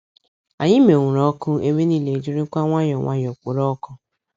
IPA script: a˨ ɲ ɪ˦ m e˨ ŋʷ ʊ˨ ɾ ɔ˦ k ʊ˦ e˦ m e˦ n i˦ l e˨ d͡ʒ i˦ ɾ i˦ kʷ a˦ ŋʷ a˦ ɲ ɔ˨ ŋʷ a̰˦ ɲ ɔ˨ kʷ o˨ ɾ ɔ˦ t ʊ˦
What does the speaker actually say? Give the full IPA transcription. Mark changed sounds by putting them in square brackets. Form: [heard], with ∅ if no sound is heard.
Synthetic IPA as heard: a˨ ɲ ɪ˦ m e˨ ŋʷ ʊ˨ ɾ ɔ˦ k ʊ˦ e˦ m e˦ n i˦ l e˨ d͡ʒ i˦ ɾ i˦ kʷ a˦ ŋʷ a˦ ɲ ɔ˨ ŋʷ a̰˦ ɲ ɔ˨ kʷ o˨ ɾ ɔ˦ [k] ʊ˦